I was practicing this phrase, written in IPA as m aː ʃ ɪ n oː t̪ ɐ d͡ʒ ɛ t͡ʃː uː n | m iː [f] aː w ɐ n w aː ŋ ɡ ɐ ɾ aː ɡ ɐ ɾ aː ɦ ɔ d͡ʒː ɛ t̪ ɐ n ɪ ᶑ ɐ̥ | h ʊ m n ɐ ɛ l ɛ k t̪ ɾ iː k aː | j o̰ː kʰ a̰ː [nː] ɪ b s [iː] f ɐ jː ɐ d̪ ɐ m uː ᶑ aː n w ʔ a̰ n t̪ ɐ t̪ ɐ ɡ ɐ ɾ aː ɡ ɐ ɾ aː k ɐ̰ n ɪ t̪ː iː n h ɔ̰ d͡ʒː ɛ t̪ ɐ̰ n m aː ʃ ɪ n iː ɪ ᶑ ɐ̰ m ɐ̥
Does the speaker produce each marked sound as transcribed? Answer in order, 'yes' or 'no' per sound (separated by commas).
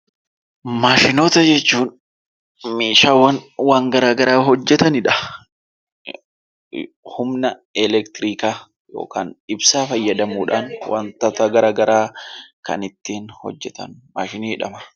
no, no, no